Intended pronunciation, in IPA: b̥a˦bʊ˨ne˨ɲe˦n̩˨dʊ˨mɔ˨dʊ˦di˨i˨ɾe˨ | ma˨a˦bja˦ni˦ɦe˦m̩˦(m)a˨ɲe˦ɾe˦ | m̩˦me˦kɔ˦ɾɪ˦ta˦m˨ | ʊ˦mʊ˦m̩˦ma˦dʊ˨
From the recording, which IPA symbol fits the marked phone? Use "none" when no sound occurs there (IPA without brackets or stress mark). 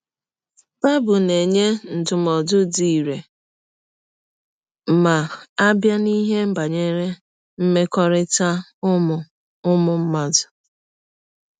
b